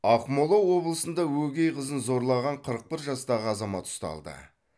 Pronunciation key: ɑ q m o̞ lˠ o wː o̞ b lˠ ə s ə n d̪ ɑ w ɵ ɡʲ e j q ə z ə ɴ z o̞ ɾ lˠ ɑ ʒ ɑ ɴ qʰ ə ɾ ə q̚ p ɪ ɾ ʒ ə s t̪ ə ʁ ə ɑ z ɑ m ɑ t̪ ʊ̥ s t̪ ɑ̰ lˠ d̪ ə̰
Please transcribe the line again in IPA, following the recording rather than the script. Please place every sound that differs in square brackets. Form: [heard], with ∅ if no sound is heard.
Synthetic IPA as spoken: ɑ q m o̞ lˠ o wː o̞ b lˠ ə s ə n d̪ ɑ w ɵ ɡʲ e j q ə z ə [n] z o̞ ɾ lˠ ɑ [ʁ] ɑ ɴ qʰ ə ɾ ə q̚ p ɪ ɾ ʒ [ɑ] s t̪ [ɑ] ʁ ə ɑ z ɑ m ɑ t̪ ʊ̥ s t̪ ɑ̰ lˠ d̪ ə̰